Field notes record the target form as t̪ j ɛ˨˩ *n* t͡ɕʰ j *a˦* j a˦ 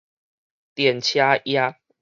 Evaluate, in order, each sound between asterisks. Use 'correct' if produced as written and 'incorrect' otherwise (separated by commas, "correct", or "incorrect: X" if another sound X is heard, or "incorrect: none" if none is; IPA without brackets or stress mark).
correct, correct